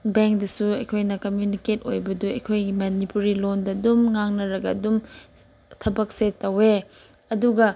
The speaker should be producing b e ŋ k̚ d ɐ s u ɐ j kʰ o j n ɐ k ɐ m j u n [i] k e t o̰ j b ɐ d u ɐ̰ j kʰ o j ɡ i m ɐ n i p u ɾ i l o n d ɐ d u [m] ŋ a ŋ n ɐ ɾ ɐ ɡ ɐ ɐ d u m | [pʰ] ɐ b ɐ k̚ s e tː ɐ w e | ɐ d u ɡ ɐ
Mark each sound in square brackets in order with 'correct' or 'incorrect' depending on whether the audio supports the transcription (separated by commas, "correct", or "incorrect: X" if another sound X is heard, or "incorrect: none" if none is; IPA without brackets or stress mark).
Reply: correct, correct, incorrect: tʰ